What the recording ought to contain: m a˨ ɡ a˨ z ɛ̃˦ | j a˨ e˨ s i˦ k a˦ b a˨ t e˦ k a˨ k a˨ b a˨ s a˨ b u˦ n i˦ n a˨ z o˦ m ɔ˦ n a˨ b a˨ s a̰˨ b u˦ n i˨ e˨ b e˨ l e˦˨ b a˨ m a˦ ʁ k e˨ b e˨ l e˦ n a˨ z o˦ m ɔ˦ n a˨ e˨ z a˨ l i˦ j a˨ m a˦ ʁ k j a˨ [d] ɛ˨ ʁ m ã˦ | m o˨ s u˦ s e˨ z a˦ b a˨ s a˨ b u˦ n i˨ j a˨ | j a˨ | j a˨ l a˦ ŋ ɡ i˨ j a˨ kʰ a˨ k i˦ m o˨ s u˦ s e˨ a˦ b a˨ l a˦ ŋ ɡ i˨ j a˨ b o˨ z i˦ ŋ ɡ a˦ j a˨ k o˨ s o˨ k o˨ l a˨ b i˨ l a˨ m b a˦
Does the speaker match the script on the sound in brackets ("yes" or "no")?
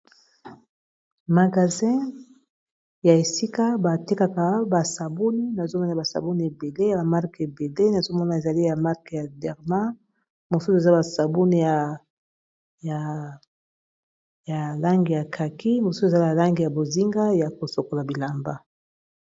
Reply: yes